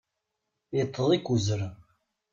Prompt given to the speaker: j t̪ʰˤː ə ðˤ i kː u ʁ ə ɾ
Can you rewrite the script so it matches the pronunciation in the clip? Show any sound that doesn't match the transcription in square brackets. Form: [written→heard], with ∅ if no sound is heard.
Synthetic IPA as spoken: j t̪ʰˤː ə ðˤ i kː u [ʁ→z] ə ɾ